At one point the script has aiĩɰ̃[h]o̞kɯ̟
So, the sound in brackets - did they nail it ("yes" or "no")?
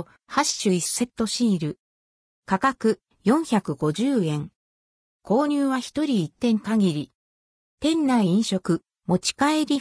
no